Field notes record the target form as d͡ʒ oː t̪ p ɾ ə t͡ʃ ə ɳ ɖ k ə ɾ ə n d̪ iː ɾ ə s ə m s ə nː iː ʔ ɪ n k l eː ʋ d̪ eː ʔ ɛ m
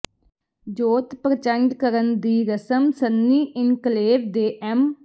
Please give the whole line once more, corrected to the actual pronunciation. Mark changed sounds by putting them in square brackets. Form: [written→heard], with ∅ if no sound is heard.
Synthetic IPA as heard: d͡ʒ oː t̪ p ɾ ə t͡ʃ ə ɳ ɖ k ə ɾ ə n d̪ iː ɾ ə s ə m s ə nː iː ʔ ɪ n k l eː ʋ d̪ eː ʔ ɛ m